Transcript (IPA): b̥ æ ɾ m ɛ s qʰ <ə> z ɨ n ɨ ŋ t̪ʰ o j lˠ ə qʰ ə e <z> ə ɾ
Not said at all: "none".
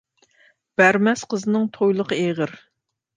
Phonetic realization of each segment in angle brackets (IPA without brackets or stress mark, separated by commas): ə, ʁ